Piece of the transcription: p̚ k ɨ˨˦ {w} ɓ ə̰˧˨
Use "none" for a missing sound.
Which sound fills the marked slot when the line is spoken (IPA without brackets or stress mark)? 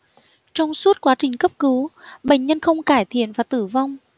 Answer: w